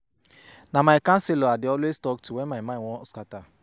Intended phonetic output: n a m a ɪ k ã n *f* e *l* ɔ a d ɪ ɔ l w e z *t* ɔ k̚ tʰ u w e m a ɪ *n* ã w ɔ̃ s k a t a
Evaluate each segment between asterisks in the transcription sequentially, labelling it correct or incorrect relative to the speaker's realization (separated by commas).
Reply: incorrect, correct, correct, incorrect